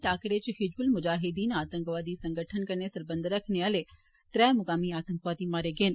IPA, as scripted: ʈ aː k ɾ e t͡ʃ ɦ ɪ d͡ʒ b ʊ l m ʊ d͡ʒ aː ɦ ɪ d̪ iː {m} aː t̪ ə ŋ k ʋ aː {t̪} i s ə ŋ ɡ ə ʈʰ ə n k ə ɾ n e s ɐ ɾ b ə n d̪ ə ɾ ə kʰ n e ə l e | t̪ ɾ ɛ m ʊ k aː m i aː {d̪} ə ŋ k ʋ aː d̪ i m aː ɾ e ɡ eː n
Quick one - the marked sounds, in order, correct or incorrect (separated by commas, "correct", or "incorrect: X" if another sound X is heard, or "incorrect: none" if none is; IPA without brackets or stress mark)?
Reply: incorrect: n, incorrect: d̪, incorrect: t̪